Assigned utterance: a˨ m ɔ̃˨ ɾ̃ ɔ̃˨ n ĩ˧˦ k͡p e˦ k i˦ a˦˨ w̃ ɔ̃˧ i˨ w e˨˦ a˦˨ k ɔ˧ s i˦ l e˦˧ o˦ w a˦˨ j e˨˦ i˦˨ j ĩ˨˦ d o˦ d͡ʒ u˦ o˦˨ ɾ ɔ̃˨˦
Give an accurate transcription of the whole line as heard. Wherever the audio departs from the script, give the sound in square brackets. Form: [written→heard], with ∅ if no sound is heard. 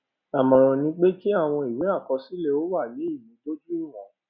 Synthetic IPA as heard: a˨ m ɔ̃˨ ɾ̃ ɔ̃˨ n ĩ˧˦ k͡p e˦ k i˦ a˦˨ w̃ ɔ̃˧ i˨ w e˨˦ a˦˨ k ɔ˧ s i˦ l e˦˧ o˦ w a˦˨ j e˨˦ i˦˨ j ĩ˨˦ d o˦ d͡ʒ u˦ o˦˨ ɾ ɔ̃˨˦